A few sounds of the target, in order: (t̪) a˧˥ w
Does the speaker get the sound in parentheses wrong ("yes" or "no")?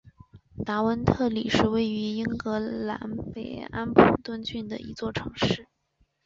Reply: no